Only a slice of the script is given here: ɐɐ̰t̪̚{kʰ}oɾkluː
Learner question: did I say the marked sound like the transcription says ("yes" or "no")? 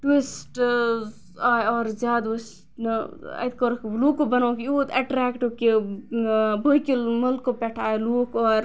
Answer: no